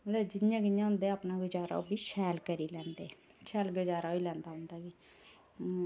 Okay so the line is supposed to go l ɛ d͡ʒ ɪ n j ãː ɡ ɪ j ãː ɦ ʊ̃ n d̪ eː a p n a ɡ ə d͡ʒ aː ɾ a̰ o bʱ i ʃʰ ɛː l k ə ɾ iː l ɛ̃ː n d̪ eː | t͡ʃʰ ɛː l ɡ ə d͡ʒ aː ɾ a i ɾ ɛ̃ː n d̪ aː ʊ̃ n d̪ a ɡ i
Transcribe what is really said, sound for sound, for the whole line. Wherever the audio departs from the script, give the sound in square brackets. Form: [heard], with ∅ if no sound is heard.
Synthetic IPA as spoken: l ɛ d͡ʒ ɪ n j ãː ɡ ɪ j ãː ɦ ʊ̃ n d̪ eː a p n a ɡ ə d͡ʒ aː ɾ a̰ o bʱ i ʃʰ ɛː l k ə ɾ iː l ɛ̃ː n d̪ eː | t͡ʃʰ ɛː l ɡ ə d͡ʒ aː ɾ a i [l] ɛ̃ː n d̪ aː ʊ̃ n d̪ a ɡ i